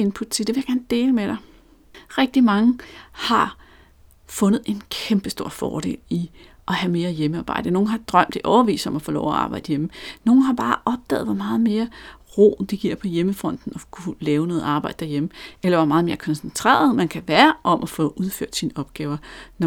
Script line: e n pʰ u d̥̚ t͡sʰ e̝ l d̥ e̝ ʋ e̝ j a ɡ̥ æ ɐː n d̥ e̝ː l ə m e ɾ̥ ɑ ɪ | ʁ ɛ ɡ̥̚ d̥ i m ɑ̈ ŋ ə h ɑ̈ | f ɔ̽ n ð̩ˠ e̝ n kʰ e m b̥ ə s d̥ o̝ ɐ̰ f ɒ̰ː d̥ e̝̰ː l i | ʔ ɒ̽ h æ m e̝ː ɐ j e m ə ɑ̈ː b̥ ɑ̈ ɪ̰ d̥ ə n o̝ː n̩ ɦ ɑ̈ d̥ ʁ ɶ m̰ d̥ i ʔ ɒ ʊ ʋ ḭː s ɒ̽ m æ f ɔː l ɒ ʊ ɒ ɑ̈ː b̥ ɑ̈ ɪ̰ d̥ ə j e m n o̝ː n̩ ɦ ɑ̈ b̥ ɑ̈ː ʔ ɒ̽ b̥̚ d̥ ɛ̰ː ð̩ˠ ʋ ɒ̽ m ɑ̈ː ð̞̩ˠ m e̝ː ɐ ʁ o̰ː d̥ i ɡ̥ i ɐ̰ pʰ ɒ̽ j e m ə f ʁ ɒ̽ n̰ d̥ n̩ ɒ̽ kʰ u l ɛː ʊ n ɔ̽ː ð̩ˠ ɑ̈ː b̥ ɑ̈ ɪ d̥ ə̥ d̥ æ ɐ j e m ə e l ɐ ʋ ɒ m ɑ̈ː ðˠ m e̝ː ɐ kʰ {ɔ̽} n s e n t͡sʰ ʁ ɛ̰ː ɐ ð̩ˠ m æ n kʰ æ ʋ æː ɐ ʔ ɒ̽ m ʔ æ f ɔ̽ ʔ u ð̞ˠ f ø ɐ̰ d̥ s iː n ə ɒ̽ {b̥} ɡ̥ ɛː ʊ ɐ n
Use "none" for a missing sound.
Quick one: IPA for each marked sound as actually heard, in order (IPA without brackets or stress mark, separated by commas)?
ɒ̽, b̥